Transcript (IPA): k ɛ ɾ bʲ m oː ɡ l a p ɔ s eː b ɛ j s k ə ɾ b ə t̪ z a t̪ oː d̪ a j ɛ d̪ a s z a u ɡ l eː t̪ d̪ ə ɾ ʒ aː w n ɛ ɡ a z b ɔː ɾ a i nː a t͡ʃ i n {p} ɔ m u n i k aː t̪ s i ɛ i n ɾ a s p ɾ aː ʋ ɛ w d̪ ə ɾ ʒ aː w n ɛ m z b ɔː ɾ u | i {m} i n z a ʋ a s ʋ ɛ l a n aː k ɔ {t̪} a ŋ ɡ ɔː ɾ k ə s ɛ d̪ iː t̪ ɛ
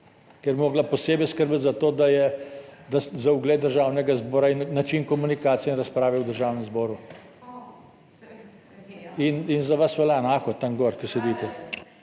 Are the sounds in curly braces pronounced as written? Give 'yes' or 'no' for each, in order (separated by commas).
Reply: no, no, yes